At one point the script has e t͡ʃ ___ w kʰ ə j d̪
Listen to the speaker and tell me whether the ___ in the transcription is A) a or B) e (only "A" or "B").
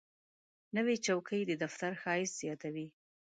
A